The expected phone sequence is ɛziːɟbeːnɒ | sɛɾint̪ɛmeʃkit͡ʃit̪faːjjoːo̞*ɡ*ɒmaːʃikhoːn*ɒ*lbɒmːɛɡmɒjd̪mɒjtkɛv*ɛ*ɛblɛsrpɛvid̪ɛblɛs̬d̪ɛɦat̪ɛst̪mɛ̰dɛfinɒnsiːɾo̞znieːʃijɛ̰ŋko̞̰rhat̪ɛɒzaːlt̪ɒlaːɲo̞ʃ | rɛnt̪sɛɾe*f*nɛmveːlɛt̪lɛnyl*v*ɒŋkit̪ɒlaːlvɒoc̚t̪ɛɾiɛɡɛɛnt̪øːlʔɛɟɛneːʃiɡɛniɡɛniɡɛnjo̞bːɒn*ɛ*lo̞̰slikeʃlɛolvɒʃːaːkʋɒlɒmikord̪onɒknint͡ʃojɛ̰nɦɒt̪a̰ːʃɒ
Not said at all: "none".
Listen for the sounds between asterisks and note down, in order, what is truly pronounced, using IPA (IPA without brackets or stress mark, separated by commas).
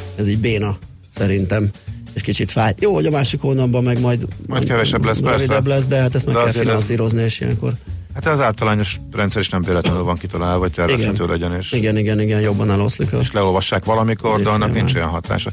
ɟ, ɒ, ɛ, ʃ, v, ɛ